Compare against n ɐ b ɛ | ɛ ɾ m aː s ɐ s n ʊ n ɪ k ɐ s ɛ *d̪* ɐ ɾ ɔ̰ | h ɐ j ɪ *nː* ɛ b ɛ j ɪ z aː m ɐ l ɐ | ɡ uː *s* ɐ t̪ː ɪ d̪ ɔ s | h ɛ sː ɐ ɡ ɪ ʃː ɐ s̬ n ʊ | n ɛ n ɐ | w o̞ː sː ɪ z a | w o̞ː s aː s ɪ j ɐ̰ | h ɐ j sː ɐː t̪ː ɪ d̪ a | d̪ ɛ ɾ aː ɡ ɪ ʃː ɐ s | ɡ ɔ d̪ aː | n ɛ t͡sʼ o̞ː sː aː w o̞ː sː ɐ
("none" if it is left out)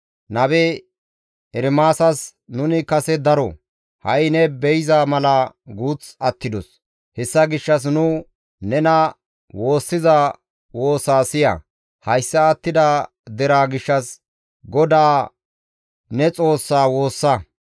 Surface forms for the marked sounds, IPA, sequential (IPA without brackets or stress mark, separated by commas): d̪, n, t͡s